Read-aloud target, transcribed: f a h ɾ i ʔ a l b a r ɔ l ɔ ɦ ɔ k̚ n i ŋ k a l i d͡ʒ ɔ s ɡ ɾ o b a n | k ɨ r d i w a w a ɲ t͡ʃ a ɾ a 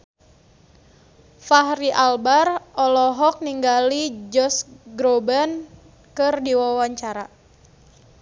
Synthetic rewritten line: f a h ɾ i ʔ a l b a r ɔ l ɔ ɦ ɔ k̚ n i ŋ ɡ a l i d͡ʒ ɔ s ɡ ɾ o b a n | k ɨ r d i w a w a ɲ t͡ʃ a ɾ a